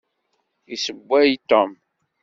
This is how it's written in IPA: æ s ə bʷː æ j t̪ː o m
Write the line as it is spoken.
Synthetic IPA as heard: i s ə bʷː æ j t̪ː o m